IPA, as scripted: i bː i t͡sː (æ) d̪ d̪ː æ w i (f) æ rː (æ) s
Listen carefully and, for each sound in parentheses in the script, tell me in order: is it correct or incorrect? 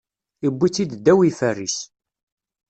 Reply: incorrect, correct, incorrect

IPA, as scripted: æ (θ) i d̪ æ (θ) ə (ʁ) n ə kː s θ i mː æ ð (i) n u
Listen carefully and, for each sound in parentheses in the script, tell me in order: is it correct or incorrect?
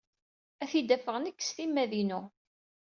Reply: correct, incorrect, correct, correct

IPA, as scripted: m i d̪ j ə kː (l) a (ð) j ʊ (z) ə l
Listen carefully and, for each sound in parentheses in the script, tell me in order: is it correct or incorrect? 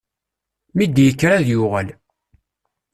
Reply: incorrect, correct, incorrect

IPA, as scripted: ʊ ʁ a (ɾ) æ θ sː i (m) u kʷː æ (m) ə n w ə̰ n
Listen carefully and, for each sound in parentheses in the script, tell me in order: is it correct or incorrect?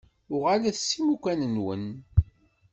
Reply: incorrect, correct, incorrect

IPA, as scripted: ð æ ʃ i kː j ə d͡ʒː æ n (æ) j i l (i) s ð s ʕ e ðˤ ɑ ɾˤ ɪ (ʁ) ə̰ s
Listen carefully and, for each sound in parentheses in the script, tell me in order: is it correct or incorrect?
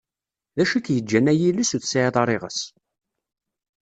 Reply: correct, correct, correct

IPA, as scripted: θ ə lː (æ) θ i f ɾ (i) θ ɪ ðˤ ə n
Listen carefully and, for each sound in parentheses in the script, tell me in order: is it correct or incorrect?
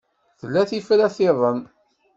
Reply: correct, incorrect

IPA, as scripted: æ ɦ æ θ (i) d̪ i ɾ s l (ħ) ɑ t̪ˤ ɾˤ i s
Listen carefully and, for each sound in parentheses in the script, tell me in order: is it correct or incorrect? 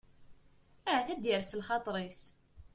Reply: incorrect, incorrect

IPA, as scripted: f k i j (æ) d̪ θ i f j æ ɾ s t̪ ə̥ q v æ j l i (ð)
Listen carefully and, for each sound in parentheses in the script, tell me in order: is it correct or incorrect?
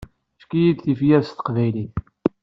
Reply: incorrect, incorrect

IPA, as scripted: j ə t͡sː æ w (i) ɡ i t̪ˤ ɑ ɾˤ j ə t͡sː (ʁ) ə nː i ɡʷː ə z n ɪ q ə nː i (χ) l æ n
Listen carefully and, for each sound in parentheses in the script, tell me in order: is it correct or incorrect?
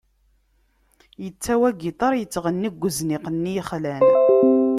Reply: incorrect, correct, correct

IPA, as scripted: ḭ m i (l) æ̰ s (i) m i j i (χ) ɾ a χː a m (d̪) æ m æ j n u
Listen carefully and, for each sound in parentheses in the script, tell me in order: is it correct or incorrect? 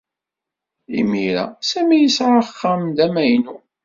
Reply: incorrect, incorrect, incorrect, correct

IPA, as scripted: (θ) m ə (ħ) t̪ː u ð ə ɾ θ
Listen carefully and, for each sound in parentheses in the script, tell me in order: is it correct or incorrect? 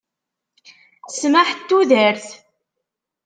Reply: incorrect, correct

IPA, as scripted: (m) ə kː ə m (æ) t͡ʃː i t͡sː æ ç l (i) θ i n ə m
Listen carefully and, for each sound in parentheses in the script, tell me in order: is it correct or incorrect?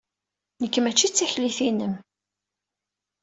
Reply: incorrect, correct, correct

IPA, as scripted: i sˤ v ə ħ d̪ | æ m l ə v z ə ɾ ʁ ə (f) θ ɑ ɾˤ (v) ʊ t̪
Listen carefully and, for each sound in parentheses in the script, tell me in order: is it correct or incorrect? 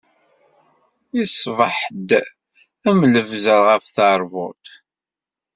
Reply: correct, correct

